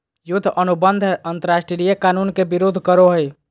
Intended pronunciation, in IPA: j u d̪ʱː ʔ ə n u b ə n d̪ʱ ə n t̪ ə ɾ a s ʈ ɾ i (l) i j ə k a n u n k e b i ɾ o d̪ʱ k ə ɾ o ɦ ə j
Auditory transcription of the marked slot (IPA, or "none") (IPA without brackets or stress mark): ɾ